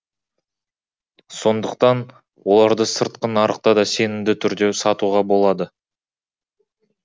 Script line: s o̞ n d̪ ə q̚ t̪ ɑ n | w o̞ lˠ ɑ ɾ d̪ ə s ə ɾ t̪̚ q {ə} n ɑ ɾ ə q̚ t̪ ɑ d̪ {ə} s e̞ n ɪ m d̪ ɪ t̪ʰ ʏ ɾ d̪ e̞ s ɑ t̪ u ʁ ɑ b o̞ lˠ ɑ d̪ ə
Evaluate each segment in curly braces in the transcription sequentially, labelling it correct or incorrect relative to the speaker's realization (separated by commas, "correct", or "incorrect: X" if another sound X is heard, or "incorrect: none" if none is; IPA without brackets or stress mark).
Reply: correct, incorrect: ɑ